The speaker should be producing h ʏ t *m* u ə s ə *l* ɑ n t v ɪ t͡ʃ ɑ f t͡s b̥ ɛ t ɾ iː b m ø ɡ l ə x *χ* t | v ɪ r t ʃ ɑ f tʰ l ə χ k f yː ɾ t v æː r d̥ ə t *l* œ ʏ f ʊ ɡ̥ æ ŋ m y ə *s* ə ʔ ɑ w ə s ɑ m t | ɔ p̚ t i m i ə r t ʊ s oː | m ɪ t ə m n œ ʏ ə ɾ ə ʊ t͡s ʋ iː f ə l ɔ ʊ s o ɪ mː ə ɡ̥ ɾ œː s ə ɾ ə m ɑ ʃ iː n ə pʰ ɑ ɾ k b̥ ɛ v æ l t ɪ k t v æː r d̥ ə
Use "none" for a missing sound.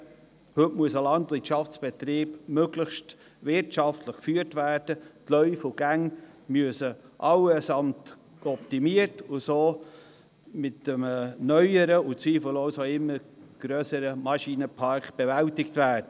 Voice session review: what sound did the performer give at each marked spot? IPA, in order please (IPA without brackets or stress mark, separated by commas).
m, l, ʃ, l, s